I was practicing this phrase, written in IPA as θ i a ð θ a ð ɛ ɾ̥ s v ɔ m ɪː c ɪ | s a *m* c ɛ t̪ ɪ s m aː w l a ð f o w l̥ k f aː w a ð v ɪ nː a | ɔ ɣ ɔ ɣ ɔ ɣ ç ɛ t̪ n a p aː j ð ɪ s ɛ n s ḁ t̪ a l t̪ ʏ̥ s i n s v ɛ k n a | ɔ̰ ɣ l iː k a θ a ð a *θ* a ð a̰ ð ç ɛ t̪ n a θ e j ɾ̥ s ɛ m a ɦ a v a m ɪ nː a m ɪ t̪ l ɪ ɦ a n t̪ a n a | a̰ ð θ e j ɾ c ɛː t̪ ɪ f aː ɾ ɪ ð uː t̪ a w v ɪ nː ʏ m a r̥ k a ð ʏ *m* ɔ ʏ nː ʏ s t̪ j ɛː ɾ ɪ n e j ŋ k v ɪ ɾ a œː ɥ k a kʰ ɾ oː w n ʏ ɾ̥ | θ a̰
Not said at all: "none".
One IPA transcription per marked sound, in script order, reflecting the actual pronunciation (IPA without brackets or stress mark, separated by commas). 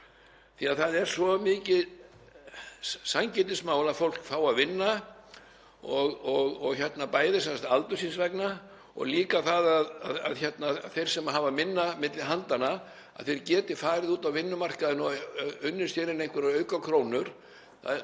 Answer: ɲ, ð, n